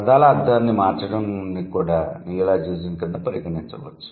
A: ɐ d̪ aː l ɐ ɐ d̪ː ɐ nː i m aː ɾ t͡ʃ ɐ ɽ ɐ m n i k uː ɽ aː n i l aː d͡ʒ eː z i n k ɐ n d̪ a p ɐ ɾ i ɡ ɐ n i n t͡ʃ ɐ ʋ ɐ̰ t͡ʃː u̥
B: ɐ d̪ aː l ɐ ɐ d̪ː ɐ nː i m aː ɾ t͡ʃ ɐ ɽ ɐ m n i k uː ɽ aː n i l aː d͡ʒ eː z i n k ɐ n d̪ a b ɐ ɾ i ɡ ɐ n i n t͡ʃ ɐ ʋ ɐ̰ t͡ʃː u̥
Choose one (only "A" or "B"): A